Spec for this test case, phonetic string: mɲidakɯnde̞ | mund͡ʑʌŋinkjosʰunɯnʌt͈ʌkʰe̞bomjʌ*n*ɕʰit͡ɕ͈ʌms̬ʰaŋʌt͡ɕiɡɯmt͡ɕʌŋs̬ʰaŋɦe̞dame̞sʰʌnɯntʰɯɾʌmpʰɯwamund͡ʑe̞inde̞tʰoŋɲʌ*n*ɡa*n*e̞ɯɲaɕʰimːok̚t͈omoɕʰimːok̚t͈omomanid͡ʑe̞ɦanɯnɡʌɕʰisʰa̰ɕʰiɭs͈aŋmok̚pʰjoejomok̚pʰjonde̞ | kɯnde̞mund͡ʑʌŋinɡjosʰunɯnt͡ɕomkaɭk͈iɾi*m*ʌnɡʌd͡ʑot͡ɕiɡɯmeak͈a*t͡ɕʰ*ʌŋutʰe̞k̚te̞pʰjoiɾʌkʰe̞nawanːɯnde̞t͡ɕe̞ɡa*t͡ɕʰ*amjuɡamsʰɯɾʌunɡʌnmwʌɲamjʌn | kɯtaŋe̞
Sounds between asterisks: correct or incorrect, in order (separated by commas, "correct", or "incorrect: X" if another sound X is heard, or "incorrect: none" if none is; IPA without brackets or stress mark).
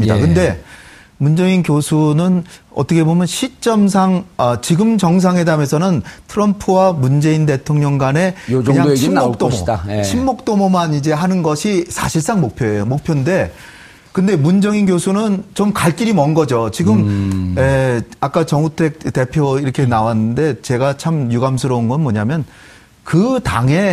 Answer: correct, incorrect: ŋ, correct, correct, incorrect: t͡ɕ, correct